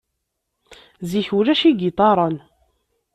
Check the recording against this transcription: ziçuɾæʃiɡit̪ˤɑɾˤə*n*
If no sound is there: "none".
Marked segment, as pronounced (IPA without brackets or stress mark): n